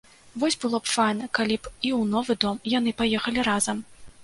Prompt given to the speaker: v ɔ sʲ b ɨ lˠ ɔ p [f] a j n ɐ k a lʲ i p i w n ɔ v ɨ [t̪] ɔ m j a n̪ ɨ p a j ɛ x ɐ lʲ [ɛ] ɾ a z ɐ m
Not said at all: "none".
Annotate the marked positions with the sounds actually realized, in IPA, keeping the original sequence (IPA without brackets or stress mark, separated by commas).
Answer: f, d̪, i